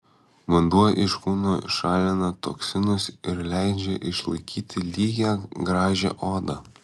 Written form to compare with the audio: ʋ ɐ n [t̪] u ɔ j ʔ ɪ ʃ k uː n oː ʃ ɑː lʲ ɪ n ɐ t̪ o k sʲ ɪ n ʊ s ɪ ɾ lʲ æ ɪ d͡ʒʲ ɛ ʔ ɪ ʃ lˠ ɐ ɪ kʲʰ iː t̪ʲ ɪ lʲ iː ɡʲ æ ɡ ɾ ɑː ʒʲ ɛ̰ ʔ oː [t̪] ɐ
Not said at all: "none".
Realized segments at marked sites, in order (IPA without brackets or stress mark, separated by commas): d̪, d̪